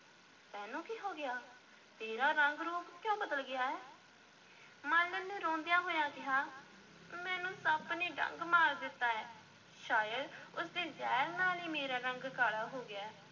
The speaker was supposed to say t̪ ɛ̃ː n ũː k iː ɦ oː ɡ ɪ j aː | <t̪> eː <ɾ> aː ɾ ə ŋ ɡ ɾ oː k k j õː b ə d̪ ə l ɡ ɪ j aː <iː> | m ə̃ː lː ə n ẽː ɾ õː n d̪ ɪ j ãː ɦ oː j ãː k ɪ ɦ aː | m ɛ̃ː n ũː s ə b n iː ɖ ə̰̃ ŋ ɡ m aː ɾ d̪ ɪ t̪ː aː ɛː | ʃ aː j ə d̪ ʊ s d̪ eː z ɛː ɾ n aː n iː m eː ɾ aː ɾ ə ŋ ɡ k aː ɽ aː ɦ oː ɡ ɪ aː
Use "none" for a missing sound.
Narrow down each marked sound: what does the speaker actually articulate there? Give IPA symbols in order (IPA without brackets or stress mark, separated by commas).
t̪, ɾ, ɛː